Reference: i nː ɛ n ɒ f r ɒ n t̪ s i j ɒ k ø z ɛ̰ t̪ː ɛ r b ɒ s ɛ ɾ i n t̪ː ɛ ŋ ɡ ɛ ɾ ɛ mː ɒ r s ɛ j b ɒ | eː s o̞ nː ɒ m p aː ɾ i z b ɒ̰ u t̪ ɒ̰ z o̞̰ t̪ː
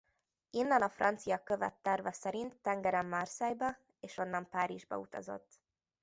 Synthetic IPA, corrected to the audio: i nː ɛ n ɒ f r ɒ n t̪ s i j ɒ k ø v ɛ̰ t̪ː ɛ r v ɒ s ɛ ɾ i n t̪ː ɛ ŋ ɡ ɛ ɾ ɛ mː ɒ r s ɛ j b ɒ | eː ʃ o̞ nː ɒ m p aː ɾ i ʒ b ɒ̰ u t̪ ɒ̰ z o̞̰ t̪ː